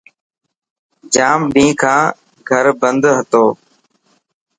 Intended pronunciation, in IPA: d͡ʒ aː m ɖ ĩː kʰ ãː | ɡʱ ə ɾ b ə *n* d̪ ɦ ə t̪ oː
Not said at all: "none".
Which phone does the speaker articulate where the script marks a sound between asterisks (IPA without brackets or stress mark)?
n